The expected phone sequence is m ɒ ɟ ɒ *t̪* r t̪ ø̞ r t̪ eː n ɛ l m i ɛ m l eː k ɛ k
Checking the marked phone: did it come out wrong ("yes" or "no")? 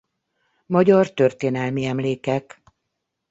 yes